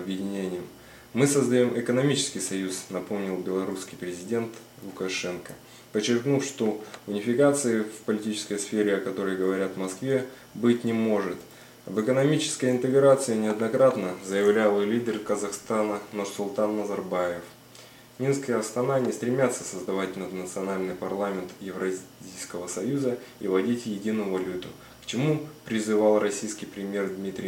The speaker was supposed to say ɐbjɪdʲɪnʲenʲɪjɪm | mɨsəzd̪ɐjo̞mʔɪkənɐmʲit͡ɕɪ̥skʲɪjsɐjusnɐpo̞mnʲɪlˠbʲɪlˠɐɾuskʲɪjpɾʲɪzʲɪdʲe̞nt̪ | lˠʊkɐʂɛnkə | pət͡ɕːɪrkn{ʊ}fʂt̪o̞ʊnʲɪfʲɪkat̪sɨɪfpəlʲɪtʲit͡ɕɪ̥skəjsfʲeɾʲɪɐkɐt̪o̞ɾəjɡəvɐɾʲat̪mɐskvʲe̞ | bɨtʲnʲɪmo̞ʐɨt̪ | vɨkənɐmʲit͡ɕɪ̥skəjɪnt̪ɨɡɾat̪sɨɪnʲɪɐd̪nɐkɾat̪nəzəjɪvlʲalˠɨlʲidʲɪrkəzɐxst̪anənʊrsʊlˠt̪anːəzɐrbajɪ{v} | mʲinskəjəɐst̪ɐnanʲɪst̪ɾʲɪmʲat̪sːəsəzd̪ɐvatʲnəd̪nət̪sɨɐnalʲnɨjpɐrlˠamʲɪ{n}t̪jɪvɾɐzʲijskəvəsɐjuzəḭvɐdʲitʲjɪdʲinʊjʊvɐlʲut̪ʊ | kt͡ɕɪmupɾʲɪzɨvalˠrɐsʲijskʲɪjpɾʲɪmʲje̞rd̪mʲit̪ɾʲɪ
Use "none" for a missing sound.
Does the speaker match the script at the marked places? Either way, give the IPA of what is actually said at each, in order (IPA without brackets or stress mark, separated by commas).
u, f, n